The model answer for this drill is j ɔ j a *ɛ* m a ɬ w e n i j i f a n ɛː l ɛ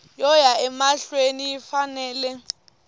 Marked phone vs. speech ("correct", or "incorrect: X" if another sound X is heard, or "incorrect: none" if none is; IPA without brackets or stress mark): correct